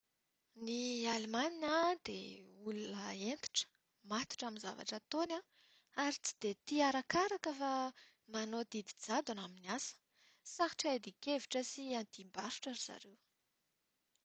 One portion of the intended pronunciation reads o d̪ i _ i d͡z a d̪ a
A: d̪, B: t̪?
A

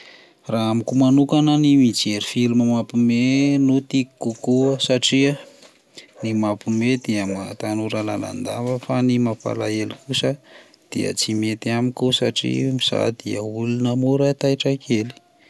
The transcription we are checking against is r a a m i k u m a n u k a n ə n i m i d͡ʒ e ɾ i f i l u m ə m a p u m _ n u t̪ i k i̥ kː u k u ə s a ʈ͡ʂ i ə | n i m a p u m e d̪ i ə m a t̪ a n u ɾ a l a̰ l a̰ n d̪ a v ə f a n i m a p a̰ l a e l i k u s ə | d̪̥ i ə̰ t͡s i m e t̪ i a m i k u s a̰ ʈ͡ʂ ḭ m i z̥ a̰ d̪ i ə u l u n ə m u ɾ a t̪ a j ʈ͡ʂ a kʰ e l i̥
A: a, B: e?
B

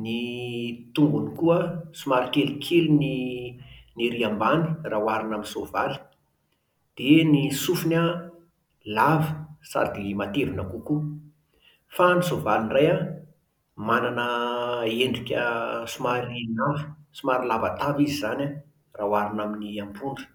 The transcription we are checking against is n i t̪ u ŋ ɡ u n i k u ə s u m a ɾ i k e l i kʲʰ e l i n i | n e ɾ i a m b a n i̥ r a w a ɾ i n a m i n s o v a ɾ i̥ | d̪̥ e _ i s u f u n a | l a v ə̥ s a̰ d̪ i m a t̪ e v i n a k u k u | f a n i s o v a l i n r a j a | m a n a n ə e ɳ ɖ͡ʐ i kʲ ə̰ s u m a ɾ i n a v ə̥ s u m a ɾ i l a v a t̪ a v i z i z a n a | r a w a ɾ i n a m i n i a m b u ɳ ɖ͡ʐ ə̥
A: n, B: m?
A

